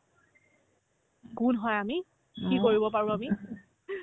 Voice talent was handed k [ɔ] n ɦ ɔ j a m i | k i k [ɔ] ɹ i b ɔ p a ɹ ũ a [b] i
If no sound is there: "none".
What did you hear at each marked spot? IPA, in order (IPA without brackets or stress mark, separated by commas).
u, o, m